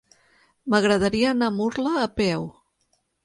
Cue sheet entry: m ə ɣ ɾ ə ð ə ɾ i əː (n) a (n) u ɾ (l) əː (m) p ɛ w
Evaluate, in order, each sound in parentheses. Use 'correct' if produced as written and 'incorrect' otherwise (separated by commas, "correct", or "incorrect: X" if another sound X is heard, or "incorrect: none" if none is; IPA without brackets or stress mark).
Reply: correct, incorrect: m, correct, incorrect: none